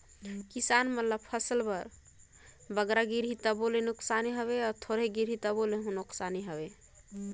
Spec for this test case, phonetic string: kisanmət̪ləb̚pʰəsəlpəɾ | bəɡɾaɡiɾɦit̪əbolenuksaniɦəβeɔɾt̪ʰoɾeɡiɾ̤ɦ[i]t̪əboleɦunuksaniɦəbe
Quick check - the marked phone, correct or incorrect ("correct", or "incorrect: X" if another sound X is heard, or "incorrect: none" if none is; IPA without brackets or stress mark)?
correct